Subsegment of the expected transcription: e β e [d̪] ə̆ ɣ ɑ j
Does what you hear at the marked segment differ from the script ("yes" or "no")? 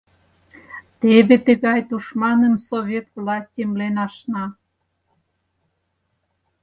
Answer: yes